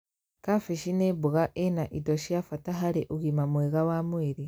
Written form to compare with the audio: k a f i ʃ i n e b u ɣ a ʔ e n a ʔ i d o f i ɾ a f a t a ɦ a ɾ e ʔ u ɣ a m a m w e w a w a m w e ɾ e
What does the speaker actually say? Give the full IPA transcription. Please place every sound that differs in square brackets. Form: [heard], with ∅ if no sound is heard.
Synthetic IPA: k a f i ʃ i n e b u ɣ a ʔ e n a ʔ i d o [ʃ] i [∅] a f a t a ɦ a ɾ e ʔ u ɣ [i] m a m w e [ɣ] a w a m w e ɾ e